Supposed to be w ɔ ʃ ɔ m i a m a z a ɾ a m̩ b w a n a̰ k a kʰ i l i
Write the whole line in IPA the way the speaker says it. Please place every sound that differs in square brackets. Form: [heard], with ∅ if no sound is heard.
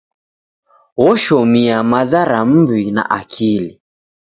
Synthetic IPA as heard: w ɔ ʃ ɔ m i a m a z a ɾ a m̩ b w [i] n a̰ [ʔ] a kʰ i l i